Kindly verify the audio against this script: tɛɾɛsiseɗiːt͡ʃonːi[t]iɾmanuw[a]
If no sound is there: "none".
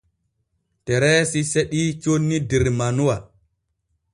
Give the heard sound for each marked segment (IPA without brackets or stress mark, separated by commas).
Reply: d, a